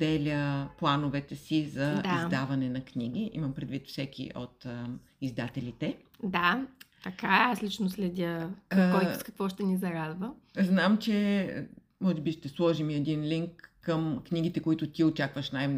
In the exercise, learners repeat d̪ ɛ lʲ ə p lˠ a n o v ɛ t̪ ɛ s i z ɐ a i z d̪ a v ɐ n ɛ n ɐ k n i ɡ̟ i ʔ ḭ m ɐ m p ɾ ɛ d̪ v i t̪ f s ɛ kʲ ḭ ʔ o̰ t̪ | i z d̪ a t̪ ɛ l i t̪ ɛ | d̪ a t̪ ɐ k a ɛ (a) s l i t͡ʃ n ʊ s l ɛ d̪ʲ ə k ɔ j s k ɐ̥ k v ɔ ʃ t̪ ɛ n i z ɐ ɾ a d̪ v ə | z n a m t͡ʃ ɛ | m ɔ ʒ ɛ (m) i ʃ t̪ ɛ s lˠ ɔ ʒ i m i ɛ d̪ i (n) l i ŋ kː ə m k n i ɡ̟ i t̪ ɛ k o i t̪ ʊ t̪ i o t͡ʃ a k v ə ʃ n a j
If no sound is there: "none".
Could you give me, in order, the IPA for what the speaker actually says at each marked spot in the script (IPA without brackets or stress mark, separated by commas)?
a, b, n